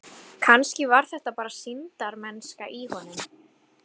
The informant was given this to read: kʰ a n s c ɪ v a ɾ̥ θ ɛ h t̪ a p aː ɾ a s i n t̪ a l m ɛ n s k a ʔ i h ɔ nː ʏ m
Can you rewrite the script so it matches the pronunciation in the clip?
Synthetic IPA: kʰ a n s c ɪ v a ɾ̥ θ ɛ h t̪ a p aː ɾ a s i n t̪ a ɾ m ɛ n s k a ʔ i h ɔ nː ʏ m